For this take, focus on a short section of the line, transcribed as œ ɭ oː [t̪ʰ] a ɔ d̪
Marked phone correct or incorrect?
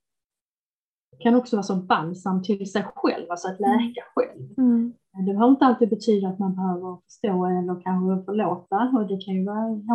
incorrect